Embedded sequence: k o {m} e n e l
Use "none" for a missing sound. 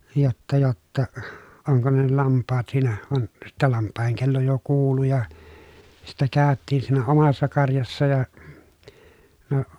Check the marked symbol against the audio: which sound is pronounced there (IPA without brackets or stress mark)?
n